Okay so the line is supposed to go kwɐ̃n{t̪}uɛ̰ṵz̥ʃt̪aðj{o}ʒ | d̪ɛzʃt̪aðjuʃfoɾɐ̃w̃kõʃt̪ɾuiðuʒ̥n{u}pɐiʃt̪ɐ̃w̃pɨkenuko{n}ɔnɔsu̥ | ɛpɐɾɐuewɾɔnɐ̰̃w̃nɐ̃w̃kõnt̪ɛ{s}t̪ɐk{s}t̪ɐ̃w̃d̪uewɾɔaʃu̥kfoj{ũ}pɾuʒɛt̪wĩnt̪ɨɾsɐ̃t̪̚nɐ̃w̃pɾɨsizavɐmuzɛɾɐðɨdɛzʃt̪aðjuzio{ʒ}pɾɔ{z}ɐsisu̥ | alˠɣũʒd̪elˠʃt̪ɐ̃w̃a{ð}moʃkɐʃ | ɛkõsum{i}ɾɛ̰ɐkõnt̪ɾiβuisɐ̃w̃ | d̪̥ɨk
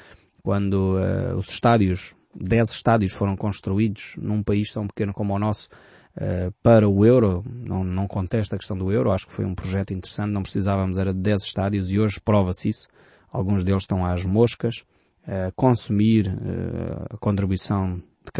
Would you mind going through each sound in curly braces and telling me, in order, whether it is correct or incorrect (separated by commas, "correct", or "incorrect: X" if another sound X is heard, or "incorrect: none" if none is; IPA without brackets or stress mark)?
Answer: incorrect: d̪, incorrect: u, incorrect: ũ, incorrect: m, incorrect: ʃ, incorrect: ʃ, correct, correct, incorrect: v, incorrect: ʒ, correct